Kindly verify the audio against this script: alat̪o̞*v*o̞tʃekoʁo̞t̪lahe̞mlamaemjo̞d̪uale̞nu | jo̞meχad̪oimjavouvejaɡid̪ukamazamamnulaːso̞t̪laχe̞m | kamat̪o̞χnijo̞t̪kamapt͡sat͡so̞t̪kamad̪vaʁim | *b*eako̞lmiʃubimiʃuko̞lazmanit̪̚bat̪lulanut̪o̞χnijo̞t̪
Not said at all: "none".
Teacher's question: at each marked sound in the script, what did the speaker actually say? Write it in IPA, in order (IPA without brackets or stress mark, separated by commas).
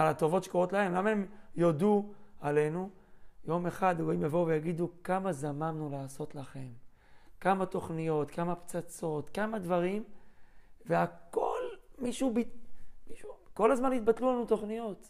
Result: v, v